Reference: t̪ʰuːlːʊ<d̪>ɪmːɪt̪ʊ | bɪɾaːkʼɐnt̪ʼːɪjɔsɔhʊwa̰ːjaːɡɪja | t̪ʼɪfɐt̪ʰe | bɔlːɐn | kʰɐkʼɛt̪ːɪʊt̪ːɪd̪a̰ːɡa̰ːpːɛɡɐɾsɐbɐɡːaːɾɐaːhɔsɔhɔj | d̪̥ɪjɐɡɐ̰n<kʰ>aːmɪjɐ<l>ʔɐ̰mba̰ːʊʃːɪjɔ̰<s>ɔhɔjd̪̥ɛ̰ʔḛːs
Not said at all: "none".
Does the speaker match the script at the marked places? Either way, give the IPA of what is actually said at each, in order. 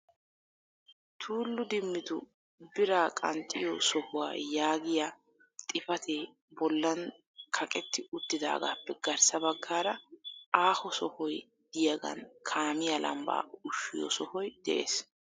d̪, kʰ, l, s

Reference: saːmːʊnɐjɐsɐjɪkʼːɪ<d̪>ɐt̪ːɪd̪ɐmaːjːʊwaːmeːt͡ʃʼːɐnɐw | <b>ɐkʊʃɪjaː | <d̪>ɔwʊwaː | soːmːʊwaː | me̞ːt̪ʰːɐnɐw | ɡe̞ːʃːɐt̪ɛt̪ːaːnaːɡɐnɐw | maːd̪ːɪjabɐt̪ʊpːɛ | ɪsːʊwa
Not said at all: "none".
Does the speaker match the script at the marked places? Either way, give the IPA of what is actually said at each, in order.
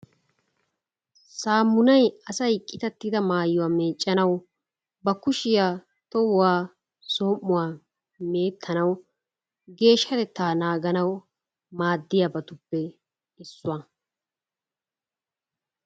t̪, b, t̪

